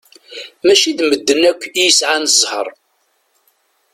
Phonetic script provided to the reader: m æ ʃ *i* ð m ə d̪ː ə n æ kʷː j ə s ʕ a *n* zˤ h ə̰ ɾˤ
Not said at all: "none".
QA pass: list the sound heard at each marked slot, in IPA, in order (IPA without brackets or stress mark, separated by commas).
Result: i, n